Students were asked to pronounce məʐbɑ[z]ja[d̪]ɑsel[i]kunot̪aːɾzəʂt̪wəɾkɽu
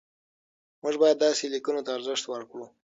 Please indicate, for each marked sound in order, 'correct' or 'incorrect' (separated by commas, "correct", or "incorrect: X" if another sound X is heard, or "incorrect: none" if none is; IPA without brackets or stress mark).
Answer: incorrect: none, incorrect: d̪ː, correct